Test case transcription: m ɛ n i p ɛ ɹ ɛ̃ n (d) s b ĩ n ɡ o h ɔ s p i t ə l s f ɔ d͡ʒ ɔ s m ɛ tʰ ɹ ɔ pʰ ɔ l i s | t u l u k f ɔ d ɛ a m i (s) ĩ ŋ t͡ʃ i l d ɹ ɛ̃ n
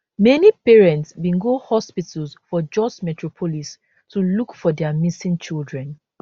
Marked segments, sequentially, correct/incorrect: incorrect: t, correct

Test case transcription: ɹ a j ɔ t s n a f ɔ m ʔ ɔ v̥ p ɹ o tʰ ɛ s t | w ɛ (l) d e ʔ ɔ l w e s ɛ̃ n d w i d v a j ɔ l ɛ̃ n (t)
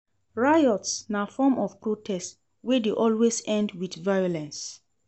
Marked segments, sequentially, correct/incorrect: incorrect: none, incorrect: s

